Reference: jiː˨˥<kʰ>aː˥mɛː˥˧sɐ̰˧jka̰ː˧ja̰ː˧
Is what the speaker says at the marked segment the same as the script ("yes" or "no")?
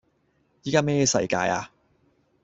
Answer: no